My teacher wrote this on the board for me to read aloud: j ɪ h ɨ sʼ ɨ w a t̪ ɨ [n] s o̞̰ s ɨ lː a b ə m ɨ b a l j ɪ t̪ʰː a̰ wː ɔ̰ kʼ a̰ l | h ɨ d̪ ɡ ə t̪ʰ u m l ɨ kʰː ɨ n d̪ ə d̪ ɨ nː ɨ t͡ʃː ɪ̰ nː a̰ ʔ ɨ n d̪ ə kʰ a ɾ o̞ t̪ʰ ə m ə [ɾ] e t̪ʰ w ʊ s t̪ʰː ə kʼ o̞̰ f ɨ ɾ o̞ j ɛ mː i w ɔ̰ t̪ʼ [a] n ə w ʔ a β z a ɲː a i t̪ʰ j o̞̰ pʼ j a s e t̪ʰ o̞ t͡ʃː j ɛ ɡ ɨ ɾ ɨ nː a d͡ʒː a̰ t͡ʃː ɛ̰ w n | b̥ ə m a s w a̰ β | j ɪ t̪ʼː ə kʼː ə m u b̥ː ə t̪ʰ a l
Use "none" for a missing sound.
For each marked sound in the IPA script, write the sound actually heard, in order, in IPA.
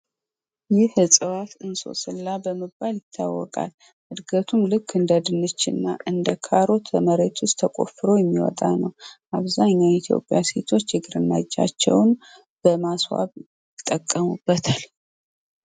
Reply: n, ɾ, a

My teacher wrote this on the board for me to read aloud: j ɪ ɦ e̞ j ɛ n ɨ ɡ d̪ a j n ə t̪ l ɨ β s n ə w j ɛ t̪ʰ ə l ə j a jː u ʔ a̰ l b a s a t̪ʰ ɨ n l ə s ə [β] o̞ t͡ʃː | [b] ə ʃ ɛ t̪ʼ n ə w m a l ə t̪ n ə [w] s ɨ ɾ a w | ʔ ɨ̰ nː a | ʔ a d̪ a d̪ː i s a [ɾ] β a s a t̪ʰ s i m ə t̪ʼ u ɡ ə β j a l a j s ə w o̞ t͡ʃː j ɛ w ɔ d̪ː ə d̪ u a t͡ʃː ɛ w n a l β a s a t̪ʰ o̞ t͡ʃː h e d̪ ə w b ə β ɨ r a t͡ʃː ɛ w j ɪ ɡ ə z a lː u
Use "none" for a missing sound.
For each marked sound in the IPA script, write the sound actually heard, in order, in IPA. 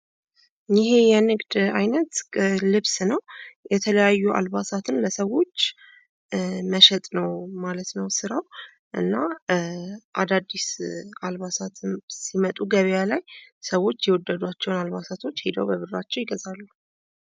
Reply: w, m, w, l

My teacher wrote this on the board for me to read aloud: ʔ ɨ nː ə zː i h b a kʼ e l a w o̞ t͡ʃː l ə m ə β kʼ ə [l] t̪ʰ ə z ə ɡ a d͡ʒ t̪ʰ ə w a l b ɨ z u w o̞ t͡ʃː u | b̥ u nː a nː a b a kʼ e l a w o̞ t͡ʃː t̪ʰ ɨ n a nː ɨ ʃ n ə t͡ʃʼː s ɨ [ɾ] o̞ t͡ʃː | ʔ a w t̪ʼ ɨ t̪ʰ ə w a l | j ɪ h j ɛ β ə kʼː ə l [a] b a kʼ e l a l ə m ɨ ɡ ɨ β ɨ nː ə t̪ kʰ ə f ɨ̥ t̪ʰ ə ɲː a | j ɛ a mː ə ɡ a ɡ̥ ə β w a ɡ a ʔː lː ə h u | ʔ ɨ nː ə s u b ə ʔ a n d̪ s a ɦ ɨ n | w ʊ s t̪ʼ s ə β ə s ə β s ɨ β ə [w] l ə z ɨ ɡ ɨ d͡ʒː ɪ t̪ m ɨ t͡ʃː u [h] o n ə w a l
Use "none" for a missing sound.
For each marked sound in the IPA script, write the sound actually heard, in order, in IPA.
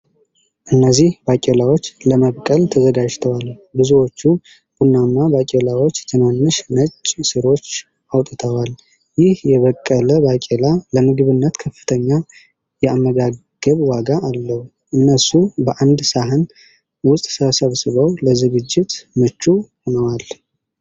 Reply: l, ɾ, ə, w, h

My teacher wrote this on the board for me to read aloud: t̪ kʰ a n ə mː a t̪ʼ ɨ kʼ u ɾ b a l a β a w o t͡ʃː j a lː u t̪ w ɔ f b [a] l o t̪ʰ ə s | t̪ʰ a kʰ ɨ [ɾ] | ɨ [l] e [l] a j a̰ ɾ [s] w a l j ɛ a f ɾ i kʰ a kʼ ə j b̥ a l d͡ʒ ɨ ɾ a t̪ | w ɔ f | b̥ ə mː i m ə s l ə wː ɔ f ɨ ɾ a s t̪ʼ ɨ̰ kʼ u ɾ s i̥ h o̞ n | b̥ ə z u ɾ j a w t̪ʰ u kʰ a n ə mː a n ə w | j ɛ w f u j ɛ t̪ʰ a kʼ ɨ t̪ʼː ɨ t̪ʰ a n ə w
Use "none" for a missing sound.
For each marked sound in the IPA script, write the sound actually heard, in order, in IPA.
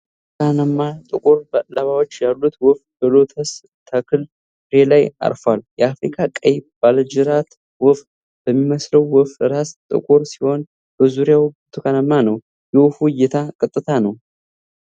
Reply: ə, l, ɾ, l, f

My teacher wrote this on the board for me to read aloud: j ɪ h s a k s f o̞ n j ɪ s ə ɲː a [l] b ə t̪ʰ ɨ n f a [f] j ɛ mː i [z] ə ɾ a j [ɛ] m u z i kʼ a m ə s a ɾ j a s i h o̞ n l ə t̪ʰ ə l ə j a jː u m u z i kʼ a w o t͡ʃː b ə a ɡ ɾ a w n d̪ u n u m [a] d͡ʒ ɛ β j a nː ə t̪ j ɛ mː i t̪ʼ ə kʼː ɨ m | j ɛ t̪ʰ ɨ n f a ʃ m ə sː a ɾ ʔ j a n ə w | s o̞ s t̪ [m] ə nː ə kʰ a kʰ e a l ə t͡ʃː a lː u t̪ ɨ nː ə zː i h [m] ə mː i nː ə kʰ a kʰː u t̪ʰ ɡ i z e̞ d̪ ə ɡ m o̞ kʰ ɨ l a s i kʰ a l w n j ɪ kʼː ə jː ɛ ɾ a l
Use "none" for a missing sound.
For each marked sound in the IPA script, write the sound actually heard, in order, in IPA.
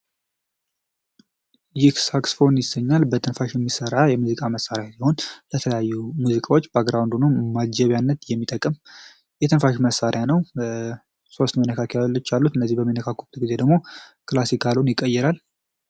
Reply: l, ʃ, s, ɛ, a, m, b

